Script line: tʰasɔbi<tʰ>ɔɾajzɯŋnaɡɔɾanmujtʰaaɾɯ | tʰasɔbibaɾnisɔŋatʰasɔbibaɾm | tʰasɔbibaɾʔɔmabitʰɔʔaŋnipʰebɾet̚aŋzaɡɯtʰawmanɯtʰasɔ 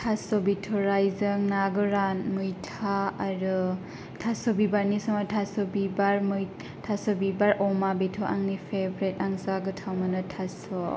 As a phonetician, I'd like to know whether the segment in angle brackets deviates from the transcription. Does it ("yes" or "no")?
no